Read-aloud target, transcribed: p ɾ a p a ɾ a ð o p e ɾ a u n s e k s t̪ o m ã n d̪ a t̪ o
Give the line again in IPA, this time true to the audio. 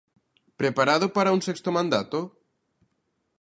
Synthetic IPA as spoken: p ɾ e p a ɾ a ð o p a ɾ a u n s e k s t̪ o m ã n d̪ a t̪ o